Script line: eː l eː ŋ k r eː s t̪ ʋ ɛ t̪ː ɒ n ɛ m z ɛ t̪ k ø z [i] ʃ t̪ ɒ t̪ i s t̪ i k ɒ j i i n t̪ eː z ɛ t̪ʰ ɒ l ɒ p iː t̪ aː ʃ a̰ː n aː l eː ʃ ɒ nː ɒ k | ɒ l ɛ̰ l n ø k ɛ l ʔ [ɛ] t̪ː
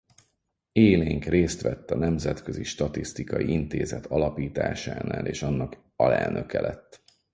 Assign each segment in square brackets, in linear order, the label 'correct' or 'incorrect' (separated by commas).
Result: correct, correct